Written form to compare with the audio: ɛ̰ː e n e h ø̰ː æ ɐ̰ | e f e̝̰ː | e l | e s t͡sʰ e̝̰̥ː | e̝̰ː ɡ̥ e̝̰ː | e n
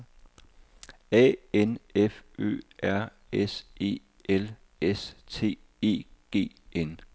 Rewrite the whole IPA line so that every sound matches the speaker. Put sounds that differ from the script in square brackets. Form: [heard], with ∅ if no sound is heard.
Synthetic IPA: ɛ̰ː e n e [f] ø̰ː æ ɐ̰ | e [s] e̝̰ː | e l | e s t͡sʰ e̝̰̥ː | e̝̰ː ɡ̥ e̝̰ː | e n